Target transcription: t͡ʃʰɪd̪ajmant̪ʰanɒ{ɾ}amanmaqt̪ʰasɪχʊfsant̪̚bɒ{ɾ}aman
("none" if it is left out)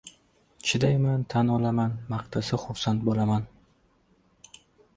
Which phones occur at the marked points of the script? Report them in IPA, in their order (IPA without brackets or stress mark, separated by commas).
l, l